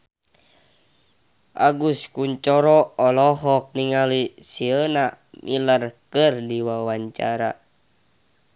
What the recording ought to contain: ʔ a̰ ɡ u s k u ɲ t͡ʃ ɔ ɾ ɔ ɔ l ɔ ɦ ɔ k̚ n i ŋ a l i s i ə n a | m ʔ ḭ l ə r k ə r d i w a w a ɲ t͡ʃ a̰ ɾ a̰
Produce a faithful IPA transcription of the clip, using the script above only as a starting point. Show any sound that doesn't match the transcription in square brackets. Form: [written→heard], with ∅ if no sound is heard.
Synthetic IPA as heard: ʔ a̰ ɡ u s k u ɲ t͡ʃ ɔ ɾ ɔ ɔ l ɔ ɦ ɔ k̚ n i ŋ a l i s i ə n a | m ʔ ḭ l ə r k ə r d i w a w a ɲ t͡ʃ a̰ ɾ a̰